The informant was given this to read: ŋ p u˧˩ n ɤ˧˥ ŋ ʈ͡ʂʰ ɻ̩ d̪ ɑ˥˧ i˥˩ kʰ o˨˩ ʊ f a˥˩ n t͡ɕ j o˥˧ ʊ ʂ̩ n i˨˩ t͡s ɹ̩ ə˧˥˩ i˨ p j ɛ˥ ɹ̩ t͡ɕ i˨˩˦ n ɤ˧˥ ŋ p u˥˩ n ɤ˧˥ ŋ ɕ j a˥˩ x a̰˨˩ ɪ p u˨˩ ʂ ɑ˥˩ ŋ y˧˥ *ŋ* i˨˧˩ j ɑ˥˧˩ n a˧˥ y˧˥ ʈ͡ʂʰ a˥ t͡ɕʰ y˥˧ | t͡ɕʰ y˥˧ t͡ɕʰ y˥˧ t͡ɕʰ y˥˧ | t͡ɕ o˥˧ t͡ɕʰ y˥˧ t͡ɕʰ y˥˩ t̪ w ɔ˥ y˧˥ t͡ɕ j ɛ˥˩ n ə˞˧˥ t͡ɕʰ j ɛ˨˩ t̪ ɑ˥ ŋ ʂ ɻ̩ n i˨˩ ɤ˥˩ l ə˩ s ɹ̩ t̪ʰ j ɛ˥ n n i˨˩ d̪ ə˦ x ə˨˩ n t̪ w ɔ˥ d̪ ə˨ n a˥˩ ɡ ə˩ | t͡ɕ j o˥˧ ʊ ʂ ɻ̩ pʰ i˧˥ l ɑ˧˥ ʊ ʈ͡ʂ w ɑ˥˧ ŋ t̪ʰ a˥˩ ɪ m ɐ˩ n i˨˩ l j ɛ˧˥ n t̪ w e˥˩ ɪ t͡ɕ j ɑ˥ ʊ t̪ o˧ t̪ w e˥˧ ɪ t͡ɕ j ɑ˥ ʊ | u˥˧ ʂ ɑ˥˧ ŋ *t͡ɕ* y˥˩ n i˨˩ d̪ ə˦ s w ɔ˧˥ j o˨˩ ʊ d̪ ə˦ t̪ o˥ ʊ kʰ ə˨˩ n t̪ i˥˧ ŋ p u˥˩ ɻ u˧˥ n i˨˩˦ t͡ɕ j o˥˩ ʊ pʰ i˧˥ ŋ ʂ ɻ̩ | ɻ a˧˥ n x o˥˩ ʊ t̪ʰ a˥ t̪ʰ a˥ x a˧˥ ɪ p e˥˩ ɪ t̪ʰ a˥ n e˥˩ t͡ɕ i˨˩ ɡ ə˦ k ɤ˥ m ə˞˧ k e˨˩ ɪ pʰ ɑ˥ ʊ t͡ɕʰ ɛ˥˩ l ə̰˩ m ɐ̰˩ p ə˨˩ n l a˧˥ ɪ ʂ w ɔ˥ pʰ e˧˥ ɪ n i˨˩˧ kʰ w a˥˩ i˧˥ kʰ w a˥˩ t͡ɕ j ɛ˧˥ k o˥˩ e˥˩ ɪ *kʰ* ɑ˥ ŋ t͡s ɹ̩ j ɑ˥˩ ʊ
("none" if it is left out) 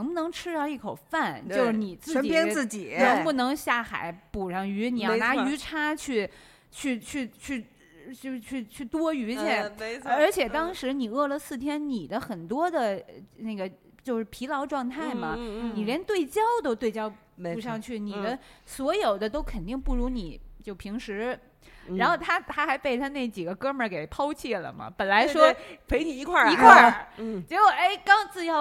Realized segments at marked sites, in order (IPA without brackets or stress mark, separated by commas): n, t͡ɕʰ, k